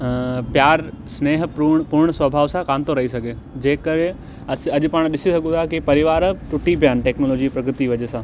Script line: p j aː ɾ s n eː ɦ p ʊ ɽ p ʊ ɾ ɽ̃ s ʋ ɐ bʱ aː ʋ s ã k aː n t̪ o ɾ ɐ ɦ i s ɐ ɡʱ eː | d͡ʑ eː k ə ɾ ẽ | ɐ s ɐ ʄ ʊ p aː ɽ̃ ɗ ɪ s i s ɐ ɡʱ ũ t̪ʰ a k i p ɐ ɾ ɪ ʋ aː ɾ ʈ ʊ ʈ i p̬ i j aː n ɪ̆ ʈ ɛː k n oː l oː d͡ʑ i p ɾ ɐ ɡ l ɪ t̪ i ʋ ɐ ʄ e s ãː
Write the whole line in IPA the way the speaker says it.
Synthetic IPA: p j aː ɾ s n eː ɦ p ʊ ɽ p ʊ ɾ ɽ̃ s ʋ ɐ bʱ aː ʋ s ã k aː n t̪ o ɾ ɐ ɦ i s ɐ ɡʱ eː | d͡ʑ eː k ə ɾ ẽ | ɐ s ɐ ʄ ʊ p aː ɽ̃ ɗ ɪ s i s ɐ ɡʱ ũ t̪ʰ a k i p ɐ ɾ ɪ ʋ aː ɾ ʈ ʊ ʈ i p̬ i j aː n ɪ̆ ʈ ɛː k n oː l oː d͡ʑ i p ɾ ɐ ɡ ɾ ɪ t̪ i ʋ ɐ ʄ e s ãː